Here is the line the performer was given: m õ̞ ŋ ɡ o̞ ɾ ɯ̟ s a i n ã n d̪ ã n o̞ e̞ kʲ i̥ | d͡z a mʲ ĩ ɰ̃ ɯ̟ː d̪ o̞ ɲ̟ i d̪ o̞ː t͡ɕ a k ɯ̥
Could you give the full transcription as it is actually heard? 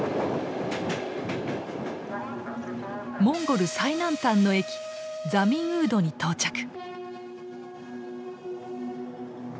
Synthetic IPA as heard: m õ̞ ŋ ɡ o̞ ɾ ɯ̟ s a i n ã n t̪ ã nː o̞ e̞ kʲ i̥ | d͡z a mʲ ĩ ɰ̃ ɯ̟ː d̪ o̞ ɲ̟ i t̪ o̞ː t͡ɕ a k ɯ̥